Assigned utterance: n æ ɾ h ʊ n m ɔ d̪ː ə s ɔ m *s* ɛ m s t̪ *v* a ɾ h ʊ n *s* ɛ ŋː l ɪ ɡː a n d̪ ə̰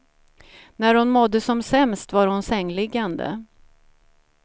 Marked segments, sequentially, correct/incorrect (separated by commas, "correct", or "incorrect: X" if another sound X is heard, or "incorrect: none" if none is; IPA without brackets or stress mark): correct, correct, correct